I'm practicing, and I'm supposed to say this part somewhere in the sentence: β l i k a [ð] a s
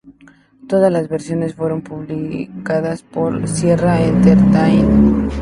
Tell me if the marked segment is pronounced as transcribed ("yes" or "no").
yes